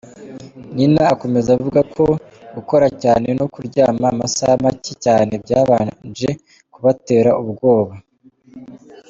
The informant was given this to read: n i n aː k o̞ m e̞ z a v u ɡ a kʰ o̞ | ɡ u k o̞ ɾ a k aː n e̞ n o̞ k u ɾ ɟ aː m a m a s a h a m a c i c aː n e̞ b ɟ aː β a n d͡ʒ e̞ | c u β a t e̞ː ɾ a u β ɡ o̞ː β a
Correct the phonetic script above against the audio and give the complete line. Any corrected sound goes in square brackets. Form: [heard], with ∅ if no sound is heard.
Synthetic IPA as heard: n i n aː k o̞ m e̞ z a v u ɡ a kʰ o̞ | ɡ u k o̞ ɾ a [c] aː n e̞ n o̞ k u ɾ ɟ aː m a m a s a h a m a c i c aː n e̞ b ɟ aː β a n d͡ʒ e̞ | [k] u β a t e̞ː ɾ a u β ɡ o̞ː β a